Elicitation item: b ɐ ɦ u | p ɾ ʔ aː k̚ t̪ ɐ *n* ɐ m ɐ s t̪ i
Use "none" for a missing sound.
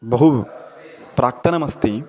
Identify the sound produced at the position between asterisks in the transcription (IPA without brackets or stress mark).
n